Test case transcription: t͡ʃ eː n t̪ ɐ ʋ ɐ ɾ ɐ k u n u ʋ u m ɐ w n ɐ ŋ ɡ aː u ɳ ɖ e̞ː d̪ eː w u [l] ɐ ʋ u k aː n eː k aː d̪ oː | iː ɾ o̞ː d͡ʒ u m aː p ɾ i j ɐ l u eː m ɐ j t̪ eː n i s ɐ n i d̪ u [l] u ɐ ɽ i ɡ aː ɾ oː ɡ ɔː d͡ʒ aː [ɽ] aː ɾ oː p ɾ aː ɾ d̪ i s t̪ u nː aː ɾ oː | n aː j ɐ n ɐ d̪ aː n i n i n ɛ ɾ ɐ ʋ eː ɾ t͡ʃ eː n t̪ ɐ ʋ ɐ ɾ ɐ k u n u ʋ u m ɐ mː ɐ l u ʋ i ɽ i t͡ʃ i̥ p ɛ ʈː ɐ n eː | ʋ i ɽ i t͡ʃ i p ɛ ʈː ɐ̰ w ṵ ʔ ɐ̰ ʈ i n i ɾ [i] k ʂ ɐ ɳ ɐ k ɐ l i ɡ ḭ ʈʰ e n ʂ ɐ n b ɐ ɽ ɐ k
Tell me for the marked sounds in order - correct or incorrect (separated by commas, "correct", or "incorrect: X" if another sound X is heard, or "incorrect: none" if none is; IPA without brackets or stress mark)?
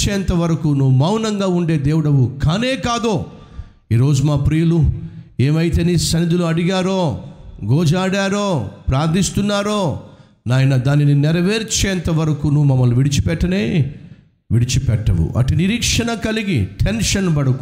incorrect: ɽ, correct, correct, incorrect: iː